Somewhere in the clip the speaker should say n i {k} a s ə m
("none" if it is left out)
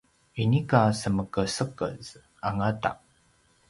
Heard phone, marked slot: k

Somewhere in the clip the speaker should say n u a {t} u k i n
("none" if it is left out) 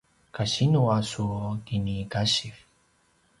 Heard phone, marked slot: s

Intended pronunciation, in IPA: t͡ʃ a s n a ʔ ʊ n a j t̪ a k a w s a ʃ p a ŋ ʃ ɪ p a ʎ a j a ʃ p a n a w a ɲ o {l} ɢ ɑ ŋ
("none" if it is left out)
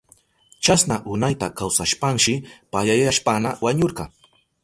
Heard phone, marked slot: ɾ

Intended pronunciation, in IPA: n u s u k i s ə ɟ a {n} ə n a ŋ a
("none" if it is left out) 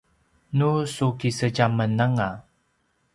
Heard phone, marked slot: m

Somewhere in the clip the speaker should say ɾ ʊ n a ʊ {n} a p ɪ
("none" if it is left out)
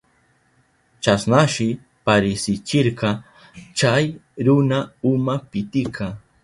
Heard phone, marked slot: m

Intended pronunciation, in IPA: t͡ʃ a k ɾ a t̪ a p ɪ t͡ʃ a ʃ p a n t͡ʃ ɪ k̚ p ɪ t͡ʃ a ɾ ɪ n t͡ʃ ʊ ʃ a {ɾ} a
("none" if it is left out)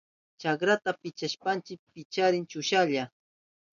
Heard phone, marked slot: ʎ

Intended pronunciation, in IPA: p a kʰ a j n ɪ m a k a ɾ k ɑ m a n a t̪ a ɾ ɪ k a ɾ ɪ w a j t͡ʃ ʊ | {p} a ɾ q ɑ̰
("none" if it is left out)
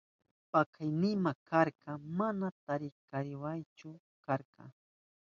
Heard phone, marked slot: k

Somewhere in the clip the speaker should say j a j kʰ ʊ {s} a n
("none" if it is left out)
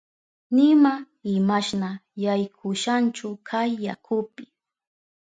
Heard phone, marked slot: ʃ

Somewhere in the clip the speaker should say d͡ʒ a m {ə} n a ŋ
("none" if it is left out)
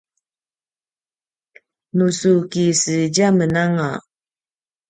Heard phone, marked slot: ə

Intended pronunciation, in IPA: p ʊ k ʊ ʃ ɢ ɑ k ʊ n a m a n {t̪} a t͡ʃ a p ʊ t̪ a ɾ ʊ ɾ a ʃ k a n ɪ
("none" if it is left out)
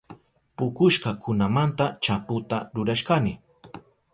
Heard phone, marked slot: t̪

